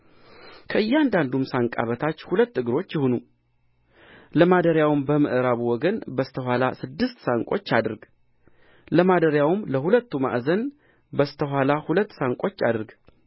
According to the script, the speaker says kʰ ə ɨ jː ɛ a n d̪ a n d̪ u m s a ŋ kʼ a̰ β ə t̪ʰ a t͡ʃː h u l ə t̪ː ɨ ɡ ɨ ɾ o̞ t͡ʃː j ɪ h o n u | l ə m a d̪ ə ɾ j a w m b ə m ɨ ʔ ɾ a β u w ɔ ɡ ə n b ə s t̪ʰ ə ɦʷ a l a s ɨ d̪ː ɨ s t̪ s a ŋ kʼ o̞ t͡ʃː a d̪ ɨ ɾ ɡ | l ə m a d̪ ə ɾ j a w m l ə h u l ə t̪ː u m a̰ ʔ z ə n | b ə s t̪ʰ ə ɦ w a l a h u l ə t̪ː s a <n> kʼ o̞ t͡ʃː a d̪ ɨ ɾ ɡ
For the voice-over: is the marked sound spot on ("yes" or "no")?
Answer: no